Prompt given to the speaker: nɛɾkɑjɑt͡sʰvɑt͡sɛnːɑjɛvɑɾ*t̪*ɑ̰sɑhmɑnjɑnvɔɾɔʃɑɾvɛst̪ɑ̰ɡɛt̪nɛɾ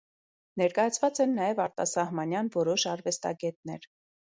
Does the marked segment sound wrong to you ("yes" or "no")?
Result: no